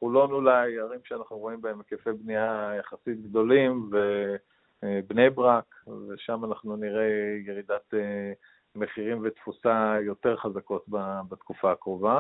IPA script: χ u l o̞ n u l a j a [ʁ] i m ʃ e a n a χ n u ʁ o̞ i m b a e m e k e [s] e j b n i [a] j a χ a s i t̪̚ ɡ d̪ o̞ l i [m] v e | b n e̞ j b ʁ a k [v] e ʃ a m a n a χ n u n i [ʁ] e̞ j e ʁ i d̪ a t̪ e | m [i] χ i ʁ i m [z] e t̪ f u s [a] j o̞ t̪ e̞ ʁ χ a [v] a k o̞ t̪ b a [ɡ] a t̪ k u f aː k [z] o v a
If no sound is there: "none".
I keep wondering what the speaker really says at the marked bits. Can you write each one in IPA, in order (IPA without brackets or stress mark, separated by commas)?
ʁ, f, a, m, v, ʁ, e, v, a, z, b, ʁ